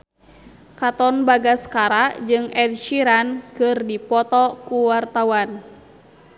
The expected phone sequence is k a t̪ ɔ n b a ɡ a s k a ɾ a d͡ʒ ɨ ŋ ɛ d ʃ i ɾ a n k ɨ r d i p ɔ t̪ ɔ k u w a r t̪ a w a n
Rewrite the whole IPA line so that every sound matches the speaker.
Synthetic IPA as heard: k a t̪ ɔ n b a ɡ a s k a ɾ a d͡ʒ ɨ ŋ ɛ d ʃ i ɾ a n k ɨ r d i p ɔ t̪ ɔ k u w a r t̪ a w a n

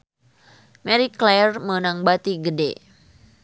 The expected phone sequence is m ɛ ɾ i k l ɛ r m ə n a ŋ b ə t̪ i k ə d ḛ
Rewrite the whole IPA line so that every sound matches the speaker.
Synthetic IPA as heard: m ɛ ɾ i k l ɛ r m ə n a ŋ b a t̪ i ɡ ə d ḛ

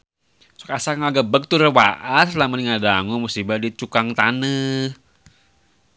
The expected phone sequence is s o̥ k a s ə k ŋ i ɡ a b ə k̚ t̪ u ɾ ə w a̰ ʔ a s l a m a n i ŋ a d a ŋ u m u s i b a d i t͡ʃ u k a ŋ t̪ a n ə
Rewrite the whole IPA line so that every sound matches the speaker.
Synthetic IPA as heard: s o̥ k a s a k ŋ a ɡ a b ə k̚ t̪ u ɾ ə w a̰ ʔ a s l a m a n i ŋ a d a ŋ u m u s i b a d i t͡ʃ u k a ŋ t̪ a n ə

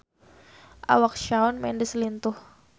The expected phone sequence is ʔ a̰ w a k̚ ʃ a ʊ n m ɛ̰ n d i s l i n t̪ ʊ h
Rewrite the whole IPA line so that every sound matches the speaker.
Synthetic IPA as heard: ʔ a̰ w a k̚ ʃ a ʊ n m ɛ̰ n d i s l i n t̪ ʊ h

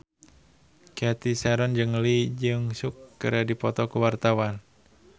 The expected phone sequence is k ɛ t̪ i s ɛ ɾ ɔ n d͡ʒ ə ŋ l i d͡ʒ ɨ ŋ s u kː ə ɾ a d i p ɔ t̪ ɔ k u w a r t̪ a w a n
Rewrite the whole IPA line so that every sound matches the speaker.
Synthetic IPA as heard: k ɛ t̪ i s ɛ ɾ ɔ n d͡ʒ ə ŋ l i d͡ʒ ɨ ŋ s u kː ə ɾ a d i p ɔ t̪ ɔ k u w a r t̪ a w a n

